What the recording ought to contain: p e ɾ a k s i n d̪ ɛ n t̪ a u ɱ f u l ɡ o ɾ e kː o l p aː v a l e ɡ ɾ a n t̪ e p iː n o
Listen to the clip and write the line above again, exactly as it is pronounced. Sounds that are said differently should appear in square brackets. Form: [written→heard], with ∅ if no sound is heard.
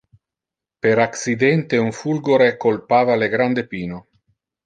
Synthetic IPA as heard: p e ɾ a k s i [n→∅] d̪ ɛ n t̪ [a→e] u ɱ f u l ɡ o ɾ e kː o l p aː v a l e ɡ ɾ a n [t̪→d̪] e p iː n o